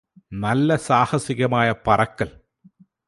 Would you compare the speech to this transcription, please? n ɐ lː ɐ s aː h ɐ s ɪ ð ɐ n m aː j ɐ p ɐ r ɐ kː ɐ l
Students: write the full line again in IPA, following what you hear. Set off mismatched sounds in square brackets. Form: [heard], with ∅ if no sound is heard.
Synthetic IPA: n ɐ lː ɐ s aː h ɐ s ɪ [ɣ] ɐ [∅] m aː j ɐ p ɐ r ɐ kː ɐ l